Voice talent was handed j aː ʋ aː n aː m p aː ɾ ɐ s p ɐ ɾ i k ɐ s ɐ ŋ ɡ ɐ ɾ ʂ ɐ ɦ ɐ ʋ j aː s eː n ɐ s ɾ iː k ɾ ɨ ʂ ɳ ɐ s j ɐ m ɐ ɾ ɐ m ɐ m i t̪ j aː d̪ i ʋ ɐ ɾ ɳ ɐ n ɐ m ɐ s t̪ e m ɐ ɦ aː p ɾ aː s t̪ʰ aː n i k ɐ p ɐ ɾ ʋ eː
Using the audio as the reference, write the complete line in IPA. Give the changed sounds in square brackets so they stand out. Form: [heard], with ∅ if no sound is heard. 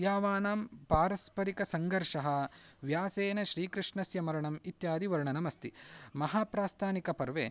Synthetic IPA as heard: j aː ʋ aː n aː m p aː ɾ ɐ s p ɐ ɾ i k ɐ s ɐ ŋ ɡ ɐ ɾ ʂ ɐ ɦ ɐ ʋ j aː s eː n ɐ [ʃ] ɾ iː k ɾ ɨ ʂ ɳ ɐ s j ɐ m ɐ ɾ ɐ [ɳ] ɐ m i t̪ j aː d̪ i ʋ ɐ ɾ ɳ ɐ n ɐ m ɐ s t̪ [i] m ɐ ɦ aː p ɾ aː s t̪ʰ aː n i k ɐ p ɐ ɾ ʋ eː